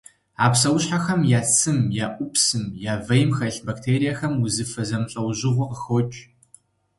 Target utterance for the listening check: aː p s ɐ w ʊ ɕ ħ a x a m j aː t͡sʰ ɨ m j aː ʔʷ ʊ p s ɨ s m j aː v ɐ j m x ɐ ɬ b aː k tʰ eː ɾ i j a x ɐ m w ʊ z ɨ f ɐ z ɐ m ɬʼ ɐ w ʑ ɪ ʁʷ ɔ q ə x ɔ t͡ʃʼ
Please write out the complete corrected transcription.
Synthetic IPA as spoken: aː p s ɐ w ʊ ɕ ħ a x ɐ m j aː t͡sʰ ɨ m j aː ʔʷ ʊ p s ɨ m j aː v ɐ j m x ɐ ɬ b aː k tʰ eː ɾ i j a x ɐ m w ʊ z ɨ f ɐ z ɐ m ɬʼ ɐ w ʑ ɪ ʁʷ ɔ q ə x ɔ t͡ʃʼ